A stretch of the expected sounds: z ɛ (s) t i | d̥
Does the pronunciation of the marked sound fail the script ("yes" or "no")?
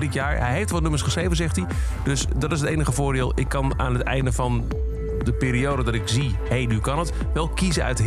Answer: yes